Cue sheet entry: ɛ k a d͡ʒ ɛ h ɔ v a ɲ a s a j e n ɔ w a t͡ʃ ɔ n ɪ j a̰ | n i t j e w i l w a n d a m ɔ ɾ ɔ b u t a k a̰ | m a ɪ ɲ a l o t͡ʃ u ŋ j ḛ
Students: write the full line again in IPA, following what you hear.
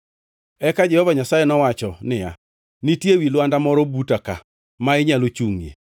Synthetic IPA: ɛ k a d͡ʒ ɛ h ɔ v a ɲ a s a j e n ɔ w a t͡ʃ ɔ n ɪ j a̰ | n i t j e w i l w a n d a m ɔ ɾ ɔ b u t a k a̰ | m a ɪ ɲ a l o t͡ʃ u ŋ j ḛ